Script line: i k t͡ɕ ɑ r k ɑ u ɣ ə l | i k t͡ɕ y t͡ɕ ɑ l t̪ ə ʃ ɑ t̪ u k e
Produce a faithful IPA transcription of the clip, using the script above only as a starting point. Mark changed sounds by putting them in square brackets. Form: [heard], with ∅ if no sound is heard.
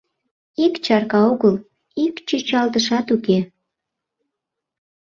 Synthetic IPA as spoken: i k t͡ɕ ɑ r k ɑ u ɣ ə l | i k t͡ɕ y t͡ɕ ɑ l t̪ ə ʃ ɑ t̪ u k e